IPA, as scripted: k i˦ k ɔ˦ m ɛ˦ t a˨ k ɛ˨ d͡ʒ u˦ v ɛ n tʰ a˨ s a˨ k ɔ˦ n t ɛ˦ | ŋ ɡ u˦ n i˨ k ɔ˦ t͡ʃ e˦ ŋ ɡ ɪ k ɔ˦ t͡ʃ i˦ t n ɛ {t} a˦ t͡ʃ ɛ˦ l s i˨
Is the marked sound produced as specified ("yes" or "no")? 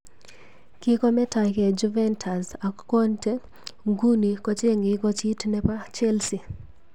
no